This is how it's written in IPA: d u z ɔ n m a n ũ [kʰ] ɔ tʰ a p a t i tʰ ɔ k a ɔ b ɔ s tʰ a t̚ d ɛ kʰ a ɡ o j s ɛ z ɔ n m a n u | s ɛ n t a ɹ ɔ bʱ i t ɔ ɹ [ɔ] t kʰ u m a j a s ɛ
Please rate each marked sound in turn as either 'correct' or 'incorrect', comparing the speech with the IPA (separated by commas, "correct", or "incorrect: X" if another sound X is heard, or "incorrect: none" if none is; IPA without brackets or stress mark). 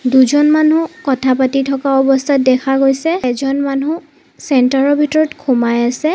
incorrect: k, correct